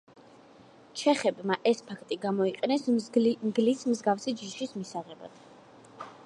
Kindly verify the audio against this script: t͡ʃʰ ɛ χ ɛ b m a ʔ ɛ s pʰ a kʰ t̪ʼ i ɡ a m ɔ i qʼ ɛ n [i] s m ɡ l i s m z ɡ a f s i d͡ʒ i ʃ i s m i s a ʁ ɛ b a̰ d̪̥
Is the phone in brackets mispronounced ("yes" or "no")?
yes